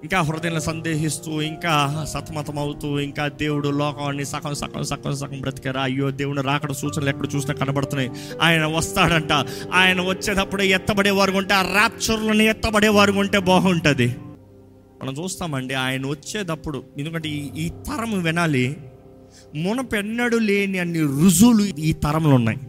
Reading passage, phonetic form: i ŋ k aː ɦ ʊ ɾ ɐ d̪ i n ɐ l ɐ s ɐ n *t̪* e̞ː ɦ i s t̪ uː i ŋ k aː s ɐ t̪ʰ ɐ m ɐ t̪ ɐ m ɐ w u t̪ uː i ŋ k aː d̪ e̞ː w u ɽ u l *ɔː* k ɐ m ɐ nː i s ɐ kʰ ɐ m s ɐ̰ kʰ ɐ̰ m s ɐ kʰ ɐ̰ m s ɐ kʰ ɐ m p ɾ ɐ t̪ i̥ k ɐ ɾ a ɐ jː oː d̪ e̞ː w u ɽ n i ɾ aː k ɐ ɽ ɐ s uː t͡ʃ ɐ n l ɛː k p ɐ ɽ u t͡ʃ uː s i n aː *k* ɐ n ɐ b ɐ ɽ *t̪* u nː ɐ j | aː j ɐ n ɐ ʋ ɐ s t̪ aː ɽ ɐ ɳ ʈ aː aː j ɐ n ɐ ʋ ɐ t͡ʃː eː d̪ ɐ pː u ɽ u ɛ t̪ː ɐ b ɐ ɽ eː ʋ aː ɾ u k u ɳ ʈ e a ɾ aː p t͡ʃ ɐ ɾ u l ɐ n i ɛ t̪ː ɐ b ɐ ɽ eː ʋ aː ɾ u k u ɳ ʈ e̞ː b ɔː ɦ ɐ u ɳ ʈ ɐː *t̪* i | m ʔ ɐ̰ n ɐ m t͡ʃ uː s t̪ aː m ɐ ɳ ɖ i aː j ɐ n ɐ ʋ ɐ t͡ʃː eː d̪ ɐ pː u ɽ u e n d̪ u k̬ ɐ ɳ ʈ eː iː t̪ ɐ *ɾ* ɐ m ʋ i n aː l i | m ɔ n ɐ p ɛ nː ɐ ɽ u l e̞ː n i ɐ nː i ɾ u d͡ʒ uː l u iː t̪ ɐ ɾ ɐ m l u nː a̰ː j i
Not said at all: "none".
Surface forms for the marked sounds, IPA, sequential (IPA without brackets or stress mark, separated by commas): d̪, ɔː, k, t̪, d̪, ɾ